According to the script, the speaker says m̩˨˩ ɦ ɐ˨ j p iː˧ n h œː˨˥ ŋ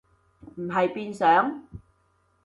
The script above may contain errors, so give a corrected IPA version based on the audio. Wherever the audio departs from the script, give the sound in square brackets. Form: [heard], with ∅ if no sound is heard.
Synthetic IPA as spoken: m̩˨˩ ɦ ɐ˨ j p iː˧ n [s] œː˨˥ ŋ